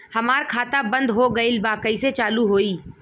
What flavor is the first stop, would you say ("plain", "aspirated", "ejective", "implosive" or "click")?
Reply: aspirated